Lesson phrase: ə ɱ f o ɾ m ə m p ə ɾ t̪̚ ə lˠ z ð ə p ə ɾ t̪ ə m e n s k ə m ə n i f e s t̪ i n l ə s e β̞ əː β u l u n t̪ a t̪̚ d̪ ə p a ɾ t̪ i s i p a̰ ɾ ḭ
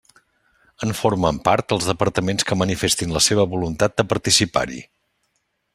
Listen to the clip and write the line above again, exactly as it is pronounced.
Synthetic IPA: ə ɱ f o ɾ m ə m p a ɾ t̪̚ ə lˠ z ð ə p ə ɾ t̪ ə m e n s k ə m ə n i f e s t̪ i n l ə s e β̞ ə β u l u n t̪ a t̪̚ d̪ ə p ə ɾ t̪ i s i p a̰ ɾ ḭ